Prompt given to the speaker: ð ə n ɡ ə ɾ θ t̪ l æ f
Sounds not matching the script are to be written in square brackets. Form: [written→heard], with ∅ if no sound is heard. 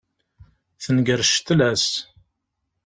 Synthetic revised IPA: [ð→θ] ə n ɡ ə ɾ [θ→ʃ] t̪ l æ [f→s]